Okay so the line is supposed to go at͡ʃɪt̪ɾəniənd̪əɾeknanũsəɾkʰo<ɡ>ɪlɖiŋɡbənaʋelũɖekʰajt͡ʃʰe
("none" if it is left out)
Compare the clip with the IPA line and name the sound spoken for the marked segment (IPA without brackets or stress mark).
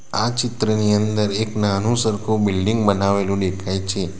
b